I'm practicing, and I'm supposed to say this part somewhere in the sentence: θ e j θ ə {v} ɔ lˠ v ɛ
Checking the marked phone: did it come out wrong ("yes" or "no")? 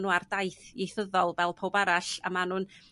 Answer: yes